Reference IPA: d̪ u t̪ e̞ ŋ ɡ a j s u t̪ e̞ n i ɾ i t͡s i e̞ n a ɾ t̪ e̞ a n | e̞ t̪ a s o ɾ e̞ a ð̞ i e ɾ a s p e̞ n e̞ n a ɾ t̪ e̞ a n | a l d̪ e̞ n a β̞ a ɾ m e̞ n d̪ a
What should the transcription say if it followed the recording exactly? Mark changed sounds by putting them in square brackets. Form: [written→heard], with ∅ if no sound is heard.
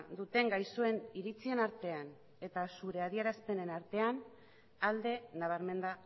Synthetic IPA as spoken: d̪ u t̪ e̞ ŋ ɡ a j s u [t̪→∅] e̞ n i ɾ i t͡s i e̞ n a ɾ t̪ e̞ a n | e̞ t̪ a s [o→u] ɾ e̞ a ð̞ i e ɾ a s p e̞ n e̞ n a ɾ t̪ e̞ a n | a l d̪ e̞ n a β̞ a ɾ m e̞ n d̪ a

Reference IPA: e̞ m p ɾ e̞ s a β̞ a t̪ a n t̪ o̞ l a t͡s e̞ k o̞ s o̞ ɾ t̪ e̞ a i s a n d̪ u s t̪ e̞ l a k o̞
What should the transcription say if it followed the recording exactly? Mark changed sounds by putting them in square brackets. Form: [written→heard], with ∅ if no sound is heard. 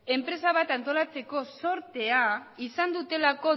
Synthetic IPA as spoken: e̞ m p ɾ e̞ s a β̞ a t̪ a n t̪ o̞ l a t͡s e̞ k o̞ s o̞ ɾ t̪ e̞ a i s a n d̪ u [s→∅] t̪ e̞ l a k o̞

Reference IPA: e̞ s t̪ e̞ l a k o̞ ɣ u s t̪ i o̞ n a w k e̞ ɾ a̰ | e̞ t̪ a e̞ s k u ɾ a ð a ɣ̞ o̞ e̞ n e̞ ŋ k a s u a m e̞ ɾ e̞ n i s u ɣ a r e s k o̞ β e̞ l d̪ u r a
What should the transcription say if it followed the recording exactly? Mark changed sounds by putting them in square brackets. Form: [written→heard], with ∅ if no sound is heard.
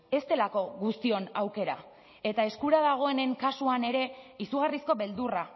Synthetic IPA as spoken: e̞ s t̪ e̞ l a k o̞ ɣ u s t̪ i o̞ n a w k e̞ ɾ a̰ | e̞ t̪ a e̞ s k u ɾ a ð a ɣ̞ o̞ e̞ n e̞ ŋ k a s u a [m→n] e̞ ɾ e̞ [n→∅] i s u ɣ a r [e→i] s k o̞ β e̞ l d̪ u r a

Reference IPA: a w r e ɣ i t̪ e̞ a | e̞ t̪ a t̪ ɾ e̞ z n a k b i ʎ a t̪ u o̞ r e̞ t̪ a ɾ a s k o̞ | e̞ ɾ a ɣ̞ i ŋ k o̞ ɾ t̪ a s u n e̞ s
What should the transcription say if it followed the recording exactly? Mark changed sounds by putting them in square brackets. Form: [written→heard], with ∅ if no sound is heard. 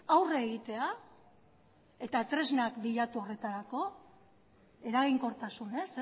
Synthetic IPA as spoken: a w r e ɣ i t̪ e̞ a | e̞ t̪ a t̪ ɾ e̞ z n a k b i ʎ a t̪ u o̞ r e̞ t̪ a ɾ a [s→∅] k o̞ | e̞ ɾ a ɣ̞ i ŋ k o̞ ɾ t̪ a s u n e̞ s

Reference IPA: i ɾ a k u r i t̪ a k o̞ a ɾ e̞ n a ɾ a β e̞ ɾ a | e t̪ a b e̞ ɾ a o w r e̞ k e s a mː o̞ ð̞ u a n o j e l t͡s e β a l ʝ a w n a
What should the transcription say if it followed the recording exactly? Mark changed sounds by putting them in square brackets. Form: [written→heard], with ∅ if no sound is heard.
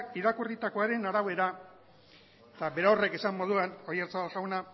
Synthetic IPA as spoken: i ɾ a k u r i t̪ a k o̞ a ɾ e̞ n a ɾ a β e̞ ɾ a | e t̪ a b e̞ ɾ a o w r e̞ k e s a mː o̞ ð̞ u a n o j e [l→ɾ] t͡s [e→a] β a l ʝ a w n a

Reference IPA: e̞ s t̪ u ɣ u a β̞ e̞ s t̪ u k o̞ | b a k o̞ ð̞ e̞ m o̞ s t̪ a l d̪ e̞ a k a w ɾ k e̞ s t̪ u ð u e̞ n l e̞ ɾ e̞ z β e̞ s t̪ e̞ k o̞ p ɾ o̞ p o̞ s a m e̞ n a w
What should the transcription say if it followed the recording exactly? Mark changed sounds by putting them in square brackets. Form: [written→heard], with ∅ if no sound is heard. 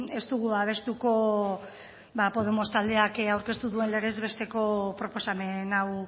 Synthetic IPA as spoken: e̞ s t̪ u ɣ u a β̞ e̞ s t̪ u k o̞ | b a [k→p] o̞ ð̞ e̞ m o̞ s t̪ a l d̪ e̞ a k a w ɾ k e̞ s t̪ u ð u e̞ n l e̞ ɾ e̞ z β e̞ s t̪ e̞ k o̞ p ɾ o̞ p o̞ s a m e̞ n a w

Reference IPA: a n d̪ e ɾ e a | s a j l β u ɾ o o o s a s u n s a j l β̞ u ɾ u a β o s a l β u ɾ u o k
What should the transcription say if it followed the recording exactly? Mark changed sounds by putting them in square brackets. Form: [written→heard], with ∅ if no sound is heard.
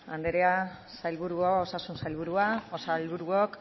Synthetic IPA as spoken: a n d̪ e ɾ e a | s a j l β u ɾ [o→u] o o s a s u n s a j l β̞ u ɾ u a [β→∅] o s a l β u ɾ u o k

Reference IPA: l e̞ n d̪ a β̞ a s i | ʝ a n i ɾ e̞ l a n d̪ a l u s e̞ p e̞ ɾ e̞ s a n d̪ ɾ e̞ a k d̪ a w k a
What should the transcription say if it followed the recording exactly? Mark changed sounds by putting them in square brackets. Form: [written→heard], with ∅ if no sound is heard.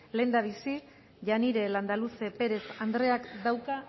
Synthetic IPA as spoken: l e̞ n d̪ a β̞ [a→i] s i | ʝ a n i ɾ e̞ l a n d̪ a l u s e̞ p e̞ ɾ e̞ s a n d̪ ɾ e̞ a k d̪ a w k a

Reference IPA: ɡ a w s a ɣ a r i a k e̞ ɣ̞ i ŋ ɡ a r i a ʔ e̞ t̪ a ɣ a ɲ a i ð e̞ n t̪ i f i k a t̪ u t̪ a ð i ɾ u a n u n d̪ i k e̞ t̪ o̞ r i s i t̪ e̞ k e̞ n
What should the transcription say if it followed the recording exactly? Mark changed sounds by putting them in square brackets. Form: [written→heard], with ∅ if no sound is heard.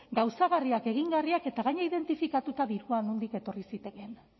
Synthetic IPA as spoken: ɡ a w s a ɣ a r i a k e̞ ɣ̞ i ŋ ɡ a r i a [ʔ→k] e̞ t̪ a ɣ a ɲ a i ð e̞ n t̪ i f i k a t̪ u t̪ a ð i ɾ u a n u n d̪ i k e̞ t̪ o̞ r i s i t̪ e̞ k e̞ n

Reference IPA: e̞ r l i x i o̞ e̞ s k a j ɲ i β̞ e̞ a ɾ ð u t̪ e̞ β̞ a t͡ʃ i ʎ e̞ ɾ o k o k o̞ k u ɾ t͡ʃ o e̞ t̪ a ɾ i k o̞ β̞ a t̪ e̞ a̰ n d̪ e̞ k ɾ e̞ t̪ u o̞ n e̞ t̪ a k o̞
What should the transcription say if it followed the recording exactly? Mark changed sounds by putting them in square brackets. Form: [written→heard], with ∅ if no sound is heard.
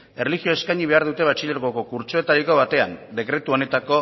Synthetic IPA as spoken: e̞ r l i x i o̞ e̞ s k a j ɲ i β̞ e̞ a ɾ ð u t̪ e̞ β̞ a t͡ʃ i ʎ e̞ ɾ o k o k o̞ k u ɾ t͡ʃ o e̞ t̪ a ɾ i k o̞ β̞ a t̪ e̞ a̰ n d̪ e̞ k ɾ e̞ t̪ u o̞ n e̞ t̪ a k o̞

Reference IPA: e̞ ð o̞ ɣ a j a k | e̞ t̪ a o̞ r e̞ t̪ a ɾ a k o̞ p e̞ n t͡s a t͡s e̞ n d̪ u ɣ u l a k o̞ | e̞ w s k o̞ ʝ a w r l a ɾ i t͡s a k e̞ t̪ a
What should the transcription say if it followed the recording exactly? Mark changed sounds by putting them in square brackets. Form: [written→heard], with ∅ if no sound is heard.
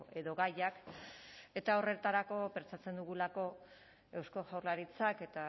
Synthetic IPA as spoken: e̞ ð o̞ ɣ a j a k | e̞ t̪ a o̞ r e̞ t̪ a ɾ a k o̞ p e̞ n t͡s a t͡s e̞ n d̪ u ɣ u l a k o̞ | e̞ w s k o̞ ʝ a w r l a ɾ i t͡s a k e̞ t̪ a

